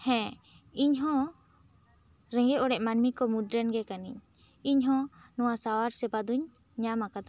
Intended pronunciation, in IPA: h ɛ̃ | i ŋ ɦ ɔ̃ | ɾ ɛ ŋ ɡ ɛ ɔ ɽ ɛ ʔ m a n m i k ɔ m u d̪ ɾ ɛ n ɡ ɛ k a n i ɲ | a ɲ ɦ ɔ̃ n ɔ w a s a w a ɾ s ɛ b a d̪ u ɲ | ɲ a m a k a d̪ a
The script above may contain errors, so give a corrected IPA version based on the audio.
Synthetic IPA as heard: h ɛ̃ | i ɲ ɦ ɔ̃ | ɾ ɛ ŋ ɡ ɛ ɔ ɽ ɛ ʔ m a n m i k ɔ m u d̪ ɾ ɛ n ɡ ɛ k a n i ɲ | i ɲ ɦ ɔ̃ n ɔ w a s a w a ɾ s ɛ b a d̪ u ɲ | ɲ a m a k a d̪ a